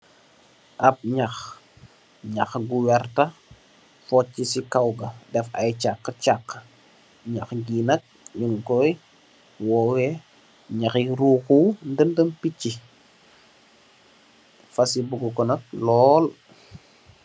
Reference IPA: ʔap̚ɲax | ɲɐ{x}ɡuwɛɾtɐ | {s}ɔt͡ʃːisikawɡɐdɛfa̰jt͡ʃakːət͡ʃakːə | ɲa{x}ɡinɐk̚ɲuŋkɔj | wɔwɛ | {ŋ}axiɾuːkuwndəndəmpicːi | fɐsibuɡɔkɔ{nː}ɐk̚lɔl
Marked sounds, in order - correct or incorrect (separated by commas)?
correct, incorrect, correct, incorrect, incorrect